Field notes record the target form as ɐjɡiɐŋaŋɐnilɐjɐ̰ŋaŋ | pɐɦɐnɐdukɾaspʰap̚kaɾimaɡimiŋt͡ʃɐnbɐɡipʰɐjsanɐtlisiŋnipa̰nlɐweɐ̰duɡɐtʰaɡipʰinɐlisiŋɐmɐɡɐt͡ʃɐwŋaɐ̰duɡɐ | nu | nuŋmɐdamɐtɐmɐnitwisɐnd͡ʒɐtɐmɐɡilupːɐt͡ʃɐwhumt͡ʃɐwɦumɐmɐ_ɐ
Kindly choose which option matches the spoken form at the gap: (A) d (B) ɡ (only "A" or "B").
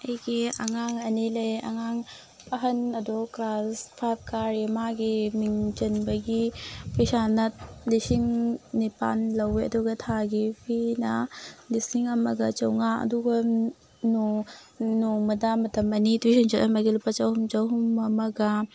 B